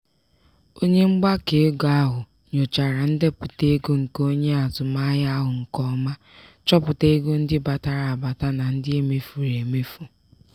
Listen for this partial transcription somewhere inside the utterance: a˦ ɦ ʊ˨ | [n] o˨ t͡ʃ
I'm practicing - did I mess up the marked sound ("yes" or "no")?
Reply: yes